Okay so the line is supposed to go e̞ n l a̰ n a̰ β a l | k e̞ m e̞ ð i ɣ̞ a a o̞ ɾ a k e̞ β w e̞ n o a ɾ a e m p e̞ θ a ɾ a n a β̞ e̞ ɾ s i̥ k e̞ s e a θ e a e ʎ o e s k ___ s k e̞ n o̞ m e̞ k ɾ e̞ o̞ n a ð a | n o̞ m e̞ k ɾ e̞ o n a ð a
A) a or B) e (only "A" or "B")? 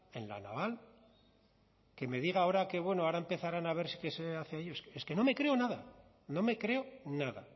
B